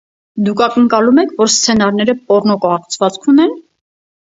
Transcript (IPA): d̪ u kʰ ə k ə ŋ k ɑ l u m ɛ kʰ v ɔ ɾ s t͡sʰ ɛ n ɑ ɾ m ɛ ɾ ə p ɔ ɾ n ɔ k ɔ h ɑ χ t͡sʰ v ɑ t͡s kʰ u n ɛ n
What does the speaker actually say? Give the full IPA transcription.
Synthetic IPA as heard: d̪ u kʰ ɑ k ə ŋ k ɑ l u m ɛ kʰ v ɔ ɾ s t͡sʰ ɛ n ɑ ɾ n ɛ ɾ ə p ɔ ɾ n ɔ k ɔ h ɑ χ t͡sʰ v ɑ t͡s kʰ u n ɛ n